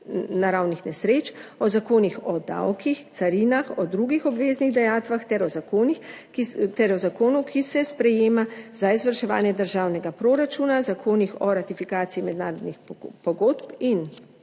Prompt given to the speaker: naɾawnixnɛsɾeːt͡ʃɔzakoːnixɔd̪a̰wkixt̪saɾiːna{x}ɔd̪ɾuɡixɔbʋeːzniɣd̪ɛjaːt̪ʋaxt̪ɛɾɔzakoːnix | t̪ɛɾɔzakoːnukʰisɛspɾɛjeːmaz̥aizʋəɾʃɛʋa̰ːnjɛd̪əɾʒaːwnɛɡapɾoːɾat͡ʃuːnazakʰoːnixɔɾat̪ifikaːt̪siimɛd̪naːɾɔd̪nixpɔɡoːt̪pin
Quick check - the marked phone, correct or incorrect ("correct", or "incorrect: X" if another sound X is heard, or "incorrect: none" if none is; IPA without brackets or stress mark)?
correct